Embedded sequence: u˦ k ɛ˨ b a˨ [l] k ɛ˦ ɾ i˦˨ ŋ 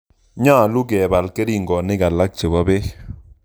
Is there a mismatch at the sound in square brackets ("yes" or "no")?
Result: no